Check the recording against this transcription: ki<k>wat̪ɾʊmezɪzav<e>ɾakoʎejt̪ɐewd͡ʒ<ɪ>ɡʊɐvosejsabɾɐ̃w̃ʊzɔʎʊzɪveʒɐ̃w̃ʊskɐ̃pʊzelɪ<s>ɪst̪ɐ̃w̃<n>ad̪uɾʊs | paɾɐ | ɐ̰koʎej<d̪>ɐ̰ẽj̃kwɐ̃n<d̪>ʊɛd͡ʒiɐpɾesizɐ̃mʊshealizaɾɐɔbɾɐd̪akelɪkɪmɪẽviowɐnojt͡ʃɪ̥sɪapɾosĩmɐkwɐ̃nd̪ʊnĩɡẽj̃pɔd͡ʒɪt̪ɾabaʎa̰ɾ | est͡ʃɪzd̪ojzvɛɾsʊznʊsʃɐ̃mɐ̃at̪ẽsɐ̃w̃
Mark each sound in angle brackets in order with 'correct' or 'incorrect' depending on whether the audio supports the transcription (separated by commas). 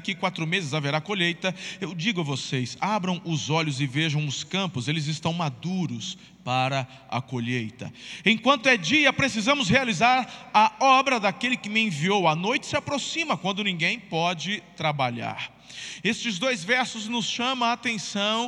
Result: correct, correct, incorrect, incorrect, incorrect, incorrect, incorrect